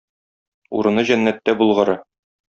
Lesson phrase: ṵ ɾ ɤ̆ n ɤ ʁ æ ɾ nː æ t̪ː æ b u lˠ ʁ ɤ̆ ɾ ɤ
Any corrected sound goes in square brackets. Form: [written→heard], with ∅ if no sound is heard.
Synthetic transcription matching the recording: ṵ ɾ ɤ̆ n ɤ [ʁ→ʑ] æ [ɾ→∅] nː æ t̪ː æ b u lˠ ʁ ɤ̆ ɾ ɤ